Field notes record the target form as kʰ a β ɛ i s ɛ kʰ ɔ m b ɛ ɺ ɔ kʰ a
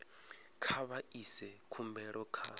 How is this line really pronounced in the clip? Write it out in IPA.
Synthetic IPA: kʰ a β a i s ɛ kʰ u m b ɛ ɺ ɔ kʰ a

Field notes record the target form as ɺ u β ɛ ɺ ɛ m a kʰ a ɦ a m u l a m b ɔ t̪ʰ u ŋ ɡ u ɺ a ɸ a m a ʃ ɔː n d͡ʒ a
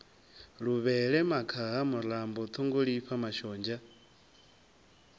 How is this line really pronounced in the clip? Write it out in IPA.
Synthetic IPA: ɺ u β ɛ ɺ ɛ m a kʰ a ɦ a m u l a m b ɔ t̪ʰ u ŋ ɡ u ɺ i ɸ a m a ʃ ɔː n d͡ʒ a

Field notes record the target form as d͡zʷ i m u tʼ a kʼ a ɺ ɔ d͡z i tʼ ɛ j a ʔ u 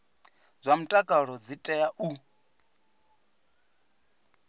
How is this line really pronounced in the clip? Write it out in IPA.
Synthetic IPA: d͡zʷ a m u tʼ a kʼ a ɺ ɔ d͡z i tʼ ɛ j a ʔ u

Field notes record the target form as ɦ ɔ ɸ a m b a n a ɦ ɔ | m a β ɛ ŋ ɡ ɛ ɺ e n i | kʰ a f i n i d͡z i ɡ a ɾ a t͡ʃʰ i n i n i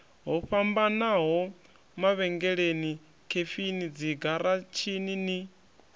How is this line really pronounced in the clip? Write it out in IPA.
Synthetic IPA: ɦ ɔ ɸ a m b a n a ɦ ɔ | m a β ɛ ŋ ɡ ɛ ɺ e n i | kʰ e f i n i d͡z i ɡ a ɾ a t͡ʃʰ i n i n i

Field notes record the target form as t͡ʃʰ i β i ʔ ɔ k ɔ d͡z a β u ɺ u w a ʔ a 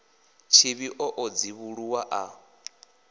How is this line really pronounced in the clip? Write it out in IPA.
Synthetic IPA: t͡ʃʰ i β i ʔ ɔ ʔ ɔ d͡z i β u ɺ u w a ʔ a

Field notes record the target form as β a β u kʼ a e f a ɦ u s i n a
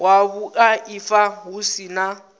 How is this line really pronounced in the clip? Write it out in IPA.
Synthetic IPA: w a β u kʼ a i f a ɦ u s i n a

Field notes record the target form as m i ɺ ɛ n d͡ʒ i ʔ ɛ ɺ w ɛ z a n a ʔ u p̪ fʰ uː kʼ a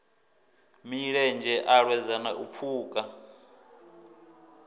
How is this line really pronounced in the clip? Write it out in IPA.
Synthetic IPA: m i ɺ ɛ n d͡ʒ ɛ ʔ a ɺ w ɛ z a n a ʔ u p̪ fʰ uː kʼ a

